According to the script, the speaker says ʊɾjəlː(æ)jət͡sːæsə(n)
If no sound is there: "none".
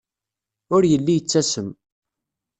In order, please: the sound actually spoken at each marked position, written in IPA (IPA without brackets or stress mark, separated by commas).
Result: i, m